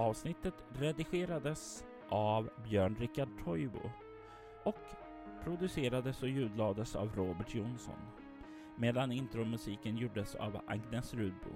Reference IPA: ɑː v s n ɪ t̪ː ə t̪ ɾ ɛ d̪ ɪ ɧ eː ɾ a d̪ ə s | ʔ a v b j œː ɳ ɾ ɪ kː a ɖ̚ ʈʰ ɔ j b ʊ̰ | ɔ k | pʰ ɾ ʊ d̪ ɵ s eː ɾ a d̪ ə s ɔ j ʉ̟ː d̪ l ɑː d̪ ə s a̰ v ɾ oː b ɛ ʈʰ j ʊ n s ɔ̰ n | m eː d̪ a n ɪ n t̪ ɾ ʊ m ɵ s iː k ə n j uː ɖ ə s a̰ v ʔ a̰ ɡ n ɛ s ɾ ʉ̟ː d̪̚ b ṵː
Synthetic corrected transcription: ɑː v s n ɪ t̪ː ə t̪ ɾ ɛ d̪ ɪ ɧ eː ɾ a d̪ ə s | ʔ a v b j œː ɳ ɾ ɪ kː a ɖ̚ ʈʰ ɔ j b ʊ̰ | ɔ k | pʰ ɾ ʊ d̪ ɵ s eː ɾ a d̪ ə s ɔ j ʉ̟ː d̪ l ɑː d̪ ə s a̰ v ɾ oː b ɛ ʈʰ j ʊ n s ɔ̰ n | m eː d̪ a n ɪ n t̪ ɾ ʊ m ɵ s iː k ə n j uː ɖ ə s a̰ v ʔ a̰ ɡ n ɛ s ɾ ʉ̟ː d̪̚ b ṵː